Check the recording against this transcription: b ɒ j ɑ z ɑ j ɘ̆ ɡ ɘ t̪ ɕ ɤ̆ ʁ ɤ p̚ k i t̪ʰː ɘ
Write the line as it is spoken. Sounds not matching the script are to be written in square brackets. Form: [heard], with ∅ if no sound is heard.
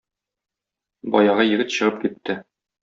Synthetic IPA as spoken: b ɒ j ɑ [ʁ] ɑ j ɘ̆ ɡ ɘ t̪ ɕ ɤ̆ ʁ ɤ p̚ k i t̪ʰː ɘ

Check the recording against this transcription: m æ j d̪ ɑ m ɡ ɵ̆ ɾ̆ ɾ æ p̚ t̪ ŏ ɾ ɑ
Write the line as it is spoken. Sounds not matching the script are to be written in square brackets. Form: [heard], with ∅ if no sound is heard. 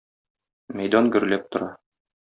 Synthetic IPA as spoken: m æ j d̪ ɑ [n] ɡ ɵ̆ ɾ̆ [l] æ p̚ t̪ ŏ ɾ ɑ

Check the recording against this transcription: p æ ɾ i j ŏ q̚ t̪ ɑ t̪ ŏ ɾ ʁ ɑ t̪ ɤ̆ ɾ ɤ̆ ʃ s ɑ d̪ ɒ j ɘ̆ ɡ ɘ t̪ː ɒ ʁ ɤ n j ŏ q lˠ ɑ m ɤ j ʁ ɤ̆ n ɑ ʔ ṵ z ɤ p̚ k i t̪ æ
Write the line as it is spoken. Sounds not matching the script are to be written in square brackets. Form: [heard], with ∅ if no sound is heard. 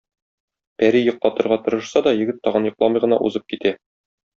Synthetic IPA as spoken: p æ ɾ i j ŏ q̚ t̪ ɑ t̪ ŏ ɾ ʁ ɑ t̪ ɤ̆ ɾ ɤ̆ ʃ s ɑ d̪ ɒ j ɘ̆ ɡ ɘ t̪ː ɒ ʁ ɤ n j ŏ q lˠ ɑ m ɤ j ʁ ɤ̆ n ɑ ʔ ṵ z ɤ p̚ k i t̪ æ

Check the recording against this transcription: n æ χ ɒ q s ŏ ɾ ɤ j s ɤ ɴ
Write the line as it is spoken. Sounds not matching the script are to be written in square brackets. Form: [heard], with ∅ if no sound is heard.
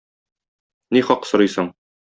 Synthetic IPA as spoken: n [i] χ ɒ q s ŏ ɾ ɤ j s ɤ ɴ

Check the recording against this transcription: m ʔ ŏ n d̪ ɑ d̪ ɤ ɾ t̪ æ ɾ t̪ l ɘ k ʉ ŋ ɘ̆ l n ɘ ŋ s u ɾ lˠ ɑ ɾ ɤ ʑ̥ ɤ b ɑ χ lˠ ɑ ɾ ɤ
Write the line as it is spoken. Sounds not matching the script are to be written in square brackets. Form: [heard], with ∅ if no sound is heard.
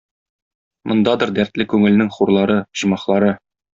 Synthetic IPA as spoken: m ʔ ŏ n d̪ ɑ d̪ ɤ ɾ [d̪] æ ɾ t̪ l ɘ k ʉ ŋ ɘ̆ l n ɘ ŋ [χ] u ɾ lˠ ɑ ɾ ɤ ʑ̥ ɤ [m] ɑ χ lˠ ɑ ɾ ɤ

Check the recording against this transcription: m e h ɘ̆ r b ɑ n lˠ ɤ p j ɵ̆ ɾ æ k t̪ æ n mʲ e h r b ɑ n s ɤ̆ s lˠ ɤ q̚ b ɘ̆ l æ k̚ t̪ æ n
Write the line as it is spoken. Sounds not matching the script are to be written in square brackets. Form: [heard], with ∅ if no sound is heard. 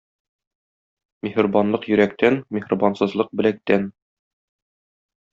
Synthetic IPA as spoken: m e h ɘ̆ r b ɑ n lˠ ɤ [q] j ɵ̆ ɾ æ k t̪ æ n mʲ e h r b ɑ n s ɤ̆ [z] lˠ ɤ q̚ b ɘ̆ l æ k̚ t̪ æ n

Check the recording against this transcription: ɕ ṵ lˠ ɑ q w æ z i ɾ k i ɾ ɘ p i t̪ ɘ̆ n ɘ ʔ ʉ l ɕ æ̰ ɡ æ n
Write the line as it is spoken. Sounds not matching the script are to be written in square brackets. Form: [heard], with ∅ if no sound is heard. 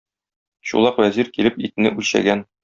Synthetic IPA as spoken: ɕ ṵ lˠ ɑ q w æ z i ɾ k i [l] ɘ p i t̪ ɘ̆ n ɘ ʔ ʉ l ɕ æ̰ ɡ æ n

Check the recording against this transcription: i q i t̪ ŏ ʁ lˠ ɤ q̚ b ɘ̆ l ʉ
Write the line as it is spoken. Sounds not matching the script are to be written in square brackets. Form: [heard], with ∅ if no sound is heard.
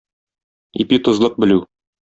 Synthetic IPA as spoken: i [p] i t̪ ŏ [z] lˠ ɤ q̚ b ɘ̆ l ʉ

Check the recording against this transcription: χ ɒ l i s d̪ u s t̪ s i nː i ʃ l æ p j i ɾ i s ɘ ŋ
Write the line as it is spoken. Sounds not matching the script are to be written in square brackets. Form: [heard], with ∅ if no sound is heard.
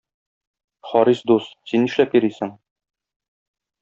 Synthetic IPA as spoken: χ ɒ [ɾ] i s d̪ u s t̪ s i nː i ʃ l æ p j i ɾ i s ɘ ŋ

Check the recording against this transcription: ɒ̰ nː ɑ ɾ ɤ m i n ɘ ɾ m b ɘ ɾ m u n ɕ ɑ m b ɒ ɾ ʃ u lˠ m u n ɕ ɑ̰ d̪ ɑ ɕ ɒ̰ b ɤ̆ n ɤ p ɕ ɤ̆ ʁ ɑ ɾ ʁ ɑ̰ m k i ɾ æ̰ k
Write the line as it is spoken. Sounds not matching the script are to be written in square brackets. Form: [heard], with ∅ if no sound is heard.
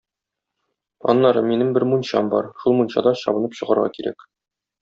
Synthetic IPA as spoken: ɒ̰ nː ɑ ɾ ɤ m i n ɘ [∅] m b ɘ ɾ m u n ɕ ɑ m b ɒ ɾ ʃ u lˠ m u n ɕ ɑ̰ d̪ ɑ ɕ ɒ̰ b ɤ̆ n ɤ p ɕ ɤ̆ ʁ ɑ ɾ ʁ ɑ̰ [∅] k i ɾ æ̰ k

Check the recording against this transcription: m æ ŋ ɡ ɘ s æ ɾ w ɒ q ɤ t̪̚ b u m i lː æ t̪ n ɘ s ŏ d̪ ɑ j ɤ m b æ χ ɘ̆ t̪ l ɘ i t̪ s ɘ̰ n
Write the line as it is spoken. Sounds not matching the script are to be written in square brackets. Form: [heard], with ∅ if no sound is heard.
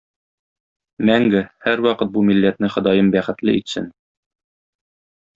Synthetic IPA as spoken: m æ ŋ ɡ ɘ [h] æ ɾ w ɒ q ɤ t̪̚ b u m i lː æ t̪ n ɘ [χ] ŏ d̪ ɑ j ɤ m b æ χ ɘ̆ t̪ l ɘ i t̪ s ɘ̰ n

